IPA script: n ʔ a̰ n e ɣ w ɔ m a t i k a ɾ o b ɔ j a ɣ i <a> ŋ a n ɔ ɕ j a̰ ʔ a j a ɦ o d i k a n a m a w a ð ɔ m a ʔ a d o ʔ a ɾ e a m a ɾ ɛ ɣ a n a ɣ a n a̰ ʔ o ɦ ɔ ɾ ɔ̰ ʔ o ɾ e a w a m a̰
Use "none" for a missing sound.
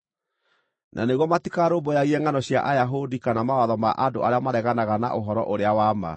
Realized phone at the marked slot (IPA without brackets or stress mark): ɛ